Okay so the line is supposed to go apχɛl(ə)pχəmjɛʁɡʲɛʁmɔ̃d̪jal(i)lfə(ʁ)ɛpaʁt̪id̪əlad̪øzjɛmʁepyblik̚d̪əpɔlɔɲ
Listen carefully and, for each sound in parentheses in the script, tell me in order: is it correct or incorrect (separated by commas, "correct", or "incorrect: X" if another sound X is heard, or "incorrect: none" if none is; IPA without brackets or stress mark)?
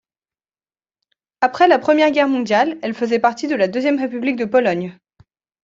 incorrect: a, incorrect: ɛ, incorrect: z